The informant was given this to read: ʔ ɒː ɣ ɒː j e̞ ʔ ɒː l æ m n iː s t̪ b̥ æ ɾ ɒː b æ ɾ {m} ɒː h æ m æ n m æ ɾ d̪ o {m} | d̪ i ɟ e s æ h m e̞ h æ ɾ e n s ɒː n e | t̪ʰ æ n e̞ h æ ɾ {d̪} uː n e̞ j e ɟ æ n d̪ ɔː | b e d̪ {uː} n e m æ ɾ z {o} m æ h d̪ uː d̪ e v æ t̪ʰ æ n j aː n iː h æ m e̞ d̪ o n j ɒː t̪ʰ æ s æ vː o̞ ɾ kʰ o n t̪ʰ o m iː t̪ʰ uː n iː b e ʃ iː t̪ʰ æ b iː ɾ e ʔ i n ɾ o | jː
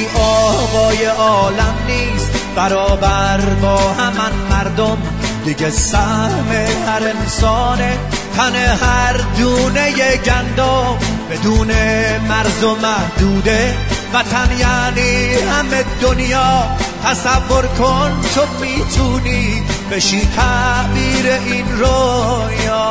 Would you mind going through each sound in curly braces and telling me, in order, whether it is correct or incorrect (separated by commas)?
incorrect, correct, correct, correct, correct